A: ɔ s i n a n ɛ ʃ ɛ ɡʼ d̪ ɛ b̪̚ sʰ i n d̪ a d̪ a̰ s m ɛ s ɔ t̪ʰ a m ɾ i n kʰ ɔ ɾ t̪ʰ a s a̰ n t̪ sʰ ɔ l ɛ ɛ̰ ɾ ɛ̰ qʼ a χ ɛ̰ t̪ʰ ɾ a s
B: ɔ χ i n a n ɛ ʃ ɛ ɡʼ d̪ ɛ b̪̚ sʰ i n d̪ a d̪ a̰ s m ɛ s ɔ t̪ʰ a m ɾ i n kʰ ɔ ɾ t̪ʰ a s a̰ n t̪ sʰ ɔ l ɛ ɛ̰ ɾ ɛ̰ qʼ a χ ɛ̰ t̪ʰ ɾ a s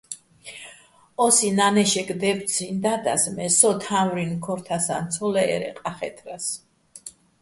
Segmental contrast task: A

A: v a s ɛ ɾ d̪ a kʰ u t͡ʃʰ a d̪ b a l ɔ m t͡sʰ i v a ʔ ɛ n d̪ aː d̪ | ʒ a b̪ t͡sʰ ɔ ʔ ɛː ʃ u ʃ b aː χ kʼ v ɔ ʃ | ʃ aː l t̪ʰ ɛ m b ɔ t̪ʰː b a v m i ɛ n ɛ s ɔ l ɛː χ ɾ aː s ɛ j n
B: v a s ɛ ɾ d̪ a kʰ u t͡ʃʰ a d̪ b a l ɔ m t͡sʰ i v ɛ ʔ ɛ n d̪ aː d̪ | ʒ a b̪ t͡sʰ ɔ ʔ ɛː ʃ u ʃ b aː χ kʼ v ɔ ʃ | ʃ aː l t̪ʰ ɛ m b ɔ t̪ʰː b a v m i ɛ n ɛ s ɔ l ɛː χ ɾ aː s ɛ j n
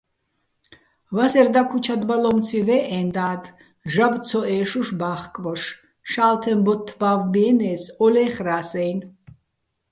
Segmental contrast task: B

